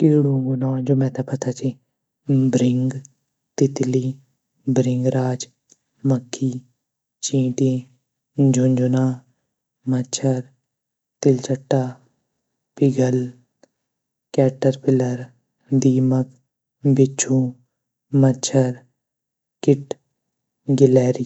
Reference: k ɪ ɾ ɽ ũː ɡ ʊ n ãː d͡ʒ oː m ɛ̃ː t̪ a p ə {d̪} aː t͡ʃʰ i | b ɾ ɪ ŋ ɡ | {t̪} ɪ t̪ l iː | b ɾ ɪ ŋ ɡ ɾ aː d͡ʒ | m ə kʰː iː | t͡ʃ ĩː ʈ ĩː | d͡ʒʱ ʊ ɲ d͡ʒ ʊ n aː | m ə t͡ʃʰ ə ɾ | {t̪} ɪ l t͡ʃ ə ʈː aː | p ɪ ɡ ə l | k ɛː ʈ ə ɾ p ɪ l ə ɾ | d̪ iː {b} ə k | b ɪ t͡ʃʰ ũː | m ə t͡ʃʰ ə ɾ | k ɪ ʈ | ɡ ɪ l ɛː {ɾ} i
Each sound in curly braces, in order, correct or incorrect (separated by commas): incorrect, correct, correct, incorrect, correct